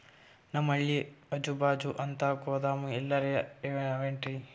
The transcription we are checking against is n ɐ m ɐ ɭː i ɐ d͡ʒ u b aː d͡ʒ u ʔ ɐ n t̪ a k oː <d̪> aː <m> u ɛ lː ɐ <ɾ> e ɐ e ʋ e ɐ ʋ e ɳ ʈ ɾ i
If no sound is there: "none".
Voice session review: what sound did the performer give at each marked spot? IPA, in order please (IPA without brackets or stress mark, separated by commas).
d̪, m, ɾ